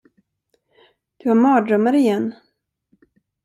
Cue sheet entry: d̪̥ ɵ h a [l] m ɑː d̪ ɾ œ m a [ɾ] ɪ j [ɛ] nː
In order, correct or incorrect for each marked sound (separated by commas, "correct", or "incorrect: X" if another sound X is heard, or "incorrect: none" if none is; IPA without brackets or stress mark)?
incorrect: ɾ, correct, correct